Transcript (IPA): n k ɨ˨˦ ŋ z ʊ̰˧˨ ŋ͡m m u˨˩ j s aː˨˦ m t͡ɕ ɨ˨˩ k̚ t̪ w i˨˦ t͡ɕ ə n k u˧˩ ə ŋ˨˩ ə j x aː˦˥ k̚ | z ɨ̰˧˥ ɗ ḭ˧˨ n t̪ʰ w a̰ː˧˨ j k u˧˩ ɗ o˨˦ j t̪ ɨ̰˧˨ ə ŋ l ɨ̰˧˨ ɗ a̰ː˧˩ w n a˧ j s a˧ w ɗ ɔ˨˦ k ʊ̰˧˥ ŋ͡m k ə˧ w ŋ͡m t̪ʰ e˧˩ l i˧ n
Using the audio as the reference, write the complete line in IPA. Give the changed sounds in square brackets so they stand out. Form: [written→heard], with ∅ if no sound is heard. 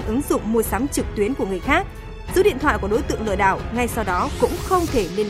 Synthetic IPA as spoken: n [k→ʔ] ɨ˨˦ ŋ z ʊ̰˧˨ ŋ͡m m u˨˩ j s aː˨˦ m t͡ɕ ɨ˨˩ k̚ t̪ w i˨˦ [t͡ɕ→∅] ə n k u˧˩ ə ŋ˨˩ ə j x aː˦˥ k̚ | z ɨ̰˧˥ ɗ ḭ˧˨ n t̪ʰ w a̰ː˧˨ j k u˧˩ ɗ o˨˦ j t̪ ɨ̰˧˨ ə ŋ l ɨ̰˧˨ ɗ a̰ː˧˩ w [n→ŋ] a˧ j s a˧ w ɗ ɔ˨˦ k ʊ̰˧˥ ŋ͡m [k→x] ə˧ w ŋ͡m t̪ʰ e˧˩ l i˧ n